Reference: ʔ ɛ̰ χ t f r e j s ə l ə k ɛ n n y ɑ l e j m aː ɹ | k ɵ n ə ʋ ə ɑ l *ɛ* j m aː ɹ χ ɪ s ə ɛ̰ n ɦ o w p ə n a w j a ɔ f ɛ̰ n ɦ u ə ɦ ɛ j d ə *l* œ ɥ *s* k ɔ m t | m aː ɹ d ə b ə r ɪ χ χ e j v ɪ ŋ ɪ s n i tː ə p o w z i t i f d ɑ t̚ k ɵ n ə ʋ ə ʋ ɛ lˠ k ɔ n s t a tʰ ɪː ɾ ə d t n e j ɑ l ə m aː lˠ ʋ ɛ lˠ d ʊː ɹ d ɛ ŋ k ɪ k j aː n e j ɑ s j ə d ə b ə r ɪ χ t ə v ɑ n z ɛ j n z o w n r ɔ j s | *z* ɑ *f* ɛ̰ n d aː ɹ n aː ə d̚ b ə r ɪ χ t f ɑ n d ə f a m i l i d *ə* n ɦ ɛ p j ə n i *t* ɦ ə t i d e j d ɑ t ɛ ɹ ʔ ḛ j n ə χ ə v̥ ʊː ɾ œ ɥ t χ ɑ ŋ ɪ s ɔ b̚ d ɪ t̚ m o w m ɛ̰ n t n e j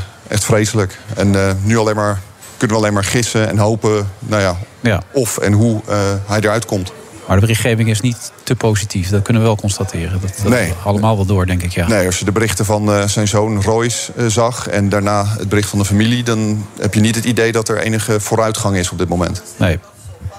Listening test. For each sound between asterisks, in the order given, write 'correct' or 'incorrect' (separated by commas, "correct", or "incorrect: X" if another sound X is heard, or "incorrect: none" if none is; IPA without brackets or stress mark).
incorrect: e, incorrect: ɹ, incorrect: t, correct, incorrect: χ, incorrect: ɑ, correct